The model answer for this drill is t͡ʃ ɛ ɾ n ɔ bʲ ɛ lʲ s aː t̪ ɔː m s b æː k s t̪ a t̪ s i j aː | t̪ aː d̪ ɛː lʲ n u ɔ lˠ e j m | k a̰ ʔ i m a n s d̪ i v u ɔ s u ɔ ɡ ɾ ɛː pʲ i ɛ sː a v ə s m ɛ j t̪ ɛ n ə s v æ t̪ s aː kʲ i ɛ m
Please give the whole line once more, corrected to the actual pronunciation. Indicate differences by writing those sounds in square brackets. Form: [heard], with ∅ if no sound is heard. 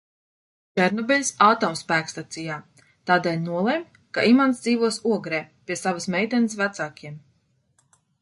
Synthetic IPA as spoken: t͡ʃ ɛ ɾ n ɔ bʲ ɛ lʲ s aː t̪ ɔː m s [p] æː k s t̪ a t̪ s i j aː | t̪ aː d̪ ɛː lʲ n u ɔ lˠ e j m | k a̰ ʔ i m a n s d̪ [iː] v u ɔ s u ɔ ɡ ɾ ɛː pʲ i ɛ [s] a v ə s m ɛ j t̪ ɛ n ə s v æ t̪ s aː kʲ i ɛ m